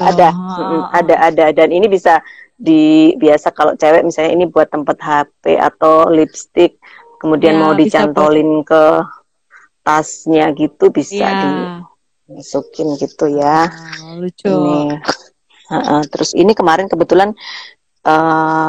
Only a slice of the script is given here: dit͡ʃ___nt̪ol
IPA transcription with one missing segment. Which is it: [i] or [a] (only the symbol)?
a